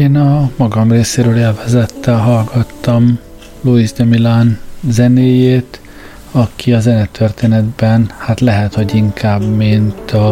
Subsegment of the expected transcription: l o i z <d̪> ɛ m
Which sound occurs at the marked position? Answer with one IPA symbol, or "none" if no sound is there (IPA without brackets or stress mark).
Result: d̪